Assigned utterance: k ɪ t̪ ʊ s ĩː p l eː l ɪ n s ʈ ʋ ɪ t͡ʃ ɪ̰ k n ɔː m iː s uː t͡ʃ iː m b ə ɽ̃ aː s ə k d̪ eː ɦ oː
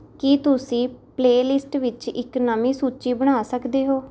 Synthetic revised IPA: k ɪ t̪ ʊ s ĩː p l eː l ɪ s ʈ ʋ ɪ t͡ʃ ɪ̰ k n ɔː m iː s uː t͡ʃ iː b ə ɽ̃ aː s ə k d̪ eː ɦ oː